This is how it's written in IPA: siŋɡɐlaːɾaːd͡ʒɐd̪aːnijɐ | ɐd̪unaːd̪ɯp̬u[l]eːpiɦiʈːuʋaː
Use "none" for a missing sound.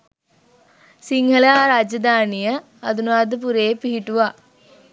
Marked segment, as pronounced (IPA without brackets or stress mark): ɾ